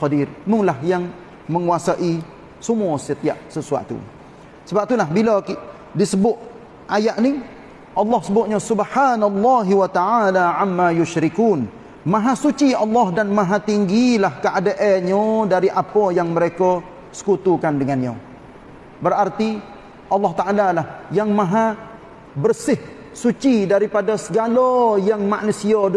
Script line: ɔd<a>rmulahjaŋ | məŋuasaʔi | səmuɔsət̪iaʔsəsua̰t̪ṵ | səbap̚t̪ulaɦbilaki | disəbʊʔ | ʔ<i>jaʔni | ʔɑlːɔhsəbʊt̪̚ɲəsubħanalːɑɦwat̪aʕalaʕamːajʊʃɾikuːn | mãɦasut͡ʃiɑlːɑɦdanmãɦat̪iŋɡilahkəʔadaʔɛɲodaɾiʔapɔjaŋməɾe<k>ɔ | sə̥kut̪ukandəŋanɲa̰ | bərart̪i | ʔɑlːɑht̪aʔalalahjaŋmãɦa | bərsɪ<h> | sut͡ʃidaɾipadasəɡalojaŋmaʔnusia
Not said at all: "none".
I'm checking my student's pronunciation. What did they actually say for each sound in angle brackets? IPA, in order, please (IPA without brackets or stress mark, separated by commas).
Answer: i, a, k, h